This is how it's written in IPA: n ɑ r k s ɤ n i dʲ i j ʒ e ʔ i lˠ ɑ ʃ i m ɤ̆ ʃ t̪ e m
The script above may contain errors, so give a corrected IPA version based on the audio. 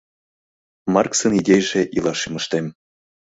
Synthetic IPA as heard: m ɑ r k s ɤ n i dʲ e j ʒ e ʔ i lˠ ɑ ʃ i m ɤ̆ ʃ t̪ e m